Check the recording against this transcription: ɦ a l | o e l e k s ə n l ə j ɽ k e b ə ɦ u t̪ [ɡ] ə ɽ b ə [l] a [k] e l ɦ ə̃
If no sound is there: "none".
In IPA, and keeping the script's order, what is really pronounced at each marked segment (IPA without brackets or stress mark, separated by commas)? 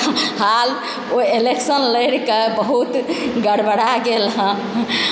ɡ, ɽ, ɡ